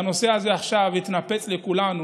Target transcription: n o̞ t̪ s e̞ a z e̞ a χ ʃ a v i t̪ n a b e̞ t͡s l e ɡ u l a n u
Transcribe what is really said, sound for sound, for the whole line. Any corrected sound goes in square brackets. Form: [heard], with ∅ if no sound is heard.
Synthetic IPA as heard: n o̞ [∅] s e̞ a z e̞ a χ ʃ a v i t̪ n a [p] e̞ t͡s l e [k] u l a n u